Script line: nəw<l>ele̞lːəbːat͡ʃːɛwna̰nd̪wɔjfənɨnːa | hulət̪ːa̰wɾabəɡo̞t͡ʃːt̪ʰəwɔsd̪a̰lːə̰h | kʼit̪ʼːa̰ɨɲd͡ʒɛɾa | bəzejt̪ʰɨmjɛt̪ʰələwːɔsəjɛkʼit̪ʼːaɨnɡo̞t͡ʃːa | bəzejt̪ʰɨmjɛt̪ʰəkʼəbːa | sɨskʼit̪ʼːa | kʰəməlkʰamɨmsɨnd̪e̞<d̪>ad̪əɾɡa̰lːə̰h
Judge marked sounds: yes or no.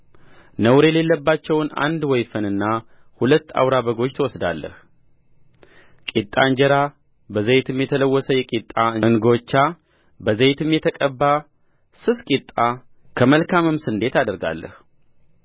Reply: no, no

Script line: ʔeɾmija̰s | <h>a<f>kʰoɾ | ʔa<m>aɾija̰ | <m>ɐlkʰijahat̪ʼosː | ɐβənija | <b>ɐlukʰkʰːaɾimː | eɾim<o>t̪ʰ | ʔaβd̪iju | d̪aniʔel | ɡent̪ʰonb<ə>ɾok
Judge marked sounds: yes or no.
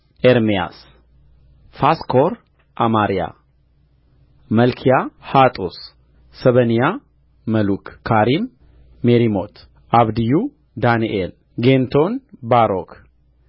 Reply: no, no, yes, yes, no, yes, no

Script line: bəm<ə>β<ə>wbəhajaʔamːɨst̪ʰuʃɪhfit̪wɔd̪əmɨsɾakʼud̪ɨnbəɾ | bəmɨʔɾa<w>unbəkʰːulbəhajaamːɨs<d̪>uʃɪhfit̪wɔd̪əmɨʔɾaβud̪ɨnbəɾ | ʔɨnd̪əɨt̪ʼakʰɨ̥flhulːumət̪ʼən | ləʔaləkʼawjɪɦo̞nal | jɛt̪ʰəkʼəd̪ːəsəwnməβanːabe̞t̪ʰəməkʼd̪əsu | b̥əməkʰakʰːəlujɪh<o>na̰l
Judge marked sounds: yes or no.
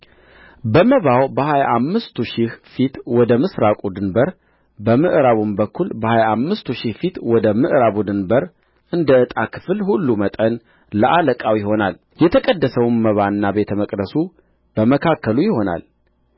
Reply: yes, no, no, no, yes

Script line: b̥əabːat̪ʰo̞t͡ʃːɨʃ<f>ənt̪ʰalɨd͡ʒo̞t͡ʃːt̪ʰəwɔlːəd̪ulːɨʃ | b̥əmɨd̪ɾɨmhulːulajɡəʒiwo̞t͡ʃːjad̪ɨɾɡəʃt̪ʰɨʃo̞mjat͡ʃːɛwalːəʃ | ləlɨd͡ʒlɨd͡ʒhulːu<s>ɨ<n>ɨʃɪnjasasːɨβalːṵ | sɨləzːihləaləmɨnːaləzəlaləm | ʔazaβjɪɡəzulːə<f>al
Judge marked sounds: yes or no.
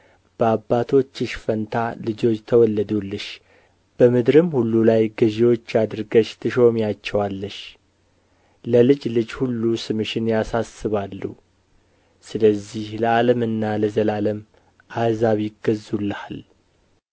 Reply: yes, yes, no, no

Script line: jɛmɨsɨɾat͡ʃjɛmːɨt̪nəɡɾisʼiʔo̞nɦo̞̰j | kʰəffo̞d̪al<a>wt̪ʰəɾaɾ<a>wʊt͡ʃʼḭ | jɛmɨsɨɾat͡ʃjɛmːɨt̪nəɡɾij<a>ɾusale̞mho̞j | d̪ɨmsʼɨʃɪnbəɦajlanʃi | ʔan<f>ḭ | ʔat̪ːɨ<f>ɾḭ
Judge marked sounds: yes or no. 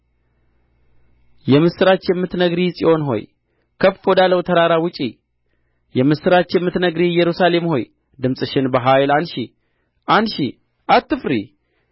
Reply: no, yes, no, no, yes

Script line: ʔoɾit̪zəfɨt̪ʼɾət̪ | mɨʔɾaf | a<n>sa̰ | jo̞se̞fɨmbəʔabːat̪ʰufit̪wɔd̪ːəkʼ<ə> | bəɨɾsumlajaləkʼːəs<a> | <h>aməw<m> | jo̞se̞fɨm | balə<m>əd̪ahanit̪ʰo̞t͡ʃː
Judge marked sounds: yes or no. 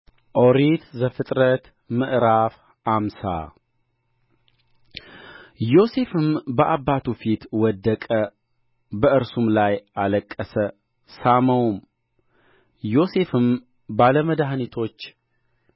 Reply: no, yes, no, no, yes, yes

